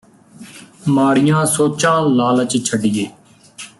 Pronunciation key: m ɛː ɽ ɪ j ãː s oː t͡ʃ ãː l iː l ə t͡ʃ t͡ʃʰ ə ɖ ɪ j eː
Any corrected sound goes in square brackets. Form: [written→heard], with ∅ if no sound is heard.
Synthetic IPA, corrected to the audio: m [ɛː→aː] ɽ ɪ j ãː s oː t͡ʃ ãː l [iː→aː] l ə t͡ʃ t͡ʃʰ ə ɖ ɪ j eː